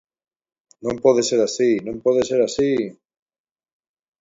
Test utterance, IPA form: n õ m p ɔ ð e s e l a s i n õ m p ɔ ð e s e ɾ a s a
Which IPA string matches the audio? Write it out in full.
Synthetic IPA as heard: n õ m p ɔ ð e s e ɾ a s i n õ m p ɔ ð e s e ɾ a s i

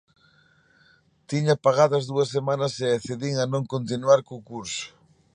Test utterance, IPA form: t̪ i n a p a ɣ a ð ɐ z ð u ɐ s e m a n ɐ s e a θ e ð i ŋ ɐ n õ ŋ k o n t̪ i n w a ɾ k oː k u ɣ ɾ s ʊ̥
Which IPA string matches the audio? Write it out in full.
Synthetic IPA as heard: t̪ i ɲ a p a ɣ a ð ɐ z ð u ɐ s e m a n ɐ s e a θ e ð i ŋ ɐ n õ ŋ k o n t̪ i n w a ɾ k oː k u ɾ s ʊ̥

